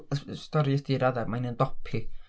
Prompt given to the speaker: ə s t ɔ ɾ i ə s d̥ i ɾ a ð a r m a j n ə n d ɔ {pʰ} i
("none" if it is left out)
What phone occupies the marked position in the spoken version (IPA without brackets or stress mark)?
pʰ